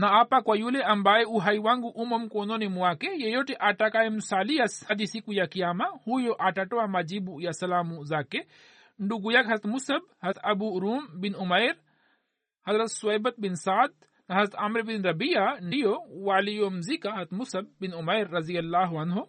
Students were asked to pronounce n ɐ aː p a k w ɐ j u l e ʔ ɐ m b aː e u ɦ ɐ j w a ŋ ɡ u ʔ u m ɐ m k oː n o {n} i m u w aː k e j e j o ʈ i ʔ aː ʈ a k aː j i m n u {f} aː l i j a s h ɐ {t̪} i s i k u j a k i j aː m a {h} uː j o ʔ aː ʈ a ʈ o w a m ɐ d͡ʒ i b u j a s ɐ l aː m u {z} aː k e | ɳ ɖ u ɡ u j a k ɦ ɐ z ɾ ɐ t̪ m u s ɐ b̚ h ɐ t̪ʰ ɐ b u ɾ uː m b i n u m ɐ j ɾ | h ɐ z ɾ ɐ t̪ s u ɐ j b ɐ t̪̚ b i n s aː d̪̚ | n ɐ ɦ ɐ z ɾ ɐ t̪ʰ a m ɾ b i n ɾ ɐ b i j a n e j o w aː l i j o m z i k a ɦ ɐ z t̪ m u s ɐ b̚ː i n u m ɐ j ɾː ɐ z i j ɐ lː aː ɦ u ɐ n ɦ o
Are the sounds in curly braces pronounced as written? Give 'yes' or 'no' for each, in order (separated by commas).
yes, no, no, yes, yes